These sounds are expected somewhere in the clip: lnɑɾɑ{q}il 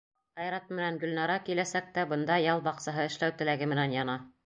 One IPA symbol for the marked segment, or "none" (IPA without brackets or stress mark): k